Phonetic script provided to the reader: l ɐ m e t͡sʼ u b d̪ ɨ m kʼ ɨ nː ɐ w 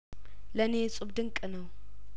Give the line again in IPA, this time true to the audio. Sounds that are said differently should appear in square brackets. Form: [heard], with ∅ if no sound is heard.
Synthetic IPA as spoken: l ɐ [n] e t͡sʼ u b d̪ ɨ [ŋ] kʼ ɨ [n] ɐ w